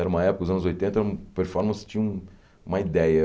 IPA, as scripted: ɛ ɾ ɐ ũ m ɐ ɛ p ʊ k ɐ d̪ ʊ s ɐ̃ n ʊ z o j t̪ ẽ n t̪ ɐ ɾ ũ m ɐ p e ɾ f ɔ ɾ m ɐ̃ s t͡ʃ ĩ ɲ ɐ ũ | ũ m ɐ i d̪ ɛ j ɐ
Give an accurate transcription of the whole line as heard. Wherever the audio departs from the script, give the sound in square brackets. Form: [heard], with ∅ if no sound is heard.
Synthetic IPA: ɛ ɾ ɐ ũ m ɐ ɛ p ʊ k ɐ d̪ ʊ [z] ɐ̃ n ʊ z o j t̪ ẽ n t̪ ɐ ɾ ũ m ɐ p e ɾ f ɔ ɾ m ɐ̃ s t͡ʃ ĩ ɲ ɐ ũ | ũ m ɐ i d̪ ɛ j ɐ